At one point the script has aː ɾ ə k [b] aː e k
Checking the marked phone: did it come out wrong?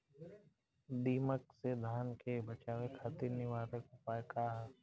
yes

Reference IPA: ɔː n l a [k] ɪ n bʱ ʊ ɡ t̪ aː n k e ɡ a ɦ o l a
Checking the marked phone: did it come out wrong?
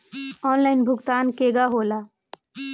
yes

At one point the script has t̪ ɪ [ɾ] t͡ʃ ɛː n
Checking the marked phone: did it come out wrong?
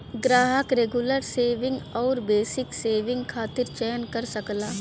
no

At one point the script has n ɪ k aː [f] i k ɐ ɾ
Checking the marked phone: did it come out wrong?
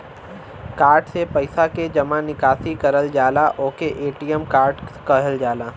yes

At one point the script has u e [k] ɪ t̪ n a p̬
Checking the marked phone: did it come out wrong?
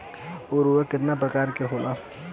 no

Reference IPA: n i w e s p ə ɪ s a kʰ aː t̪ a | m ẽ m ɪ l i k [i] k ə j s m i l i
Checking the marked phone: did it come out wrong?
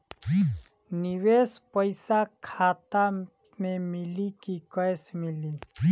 no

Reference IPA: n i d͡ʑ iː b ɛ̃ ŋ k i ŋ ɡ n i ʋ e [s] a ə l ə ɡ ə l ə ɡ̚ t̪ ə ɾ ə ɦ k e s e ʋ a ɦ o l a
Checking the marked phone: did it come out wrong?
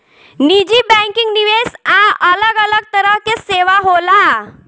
no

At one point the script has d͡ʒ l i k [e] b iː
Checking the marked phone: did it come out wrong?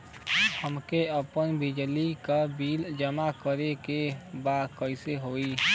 yes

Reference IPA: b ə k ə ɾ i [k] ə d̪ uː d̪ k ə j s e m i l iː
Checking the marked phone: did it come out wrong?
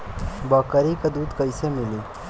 no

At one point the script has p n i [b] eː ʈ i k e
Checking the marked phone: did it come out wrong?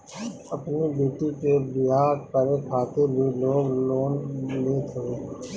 no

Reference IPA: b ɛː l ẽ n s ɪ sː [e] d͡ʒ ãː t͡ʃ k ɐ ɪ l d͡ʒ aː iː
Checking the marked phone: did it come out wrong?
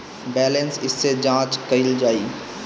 no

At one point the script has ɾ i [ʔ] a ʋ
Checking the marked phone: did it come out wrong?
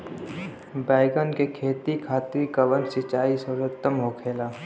yes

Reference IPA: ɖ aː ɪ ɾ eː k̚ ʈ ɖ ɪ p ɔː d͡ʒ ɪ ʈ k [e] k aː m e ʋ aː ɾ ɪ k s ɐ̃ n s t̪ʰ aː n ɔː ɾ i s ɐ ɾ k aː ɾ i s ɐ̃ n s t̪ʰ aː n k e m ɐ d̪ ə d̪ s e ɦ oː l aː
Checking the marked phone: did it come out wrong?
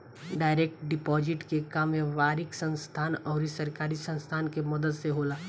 no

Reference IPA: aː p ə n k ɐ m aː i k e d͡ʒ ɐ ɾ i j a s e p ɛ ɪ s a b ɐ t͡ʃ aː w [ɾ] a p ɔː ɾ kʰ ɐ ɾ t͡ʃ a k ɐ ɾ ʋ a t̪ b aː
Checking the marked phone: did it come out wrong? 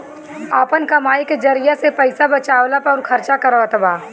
yes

